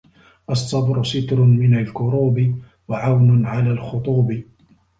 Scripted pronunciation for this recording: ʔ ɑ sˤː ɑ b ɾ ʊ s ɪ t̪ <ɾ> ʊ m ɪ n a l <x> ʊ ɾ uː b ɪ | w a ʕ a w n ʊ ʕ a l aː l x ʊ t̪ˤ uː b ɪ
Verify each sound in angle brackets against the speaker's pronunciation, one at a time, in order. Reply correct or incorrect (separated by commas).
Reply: correct, incorrect